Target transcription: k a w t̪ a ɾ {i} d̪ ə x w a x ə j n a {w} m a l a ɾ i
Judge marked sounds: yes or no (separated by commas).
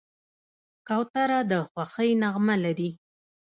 no, no